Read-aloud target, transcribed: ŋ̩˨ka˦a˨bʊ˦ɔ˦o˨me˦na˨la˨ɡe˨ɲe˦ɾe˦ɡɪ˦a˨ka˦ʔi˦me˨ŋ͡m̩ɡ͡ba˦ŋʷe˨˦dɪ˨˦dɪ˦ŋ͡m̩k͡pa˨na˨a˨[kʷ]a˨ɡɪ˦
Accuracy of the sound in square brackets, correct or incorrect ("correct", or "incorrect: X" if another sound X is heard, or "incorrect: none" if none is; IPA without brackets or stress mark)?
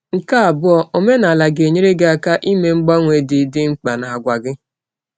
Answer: incorrect: ɡʷ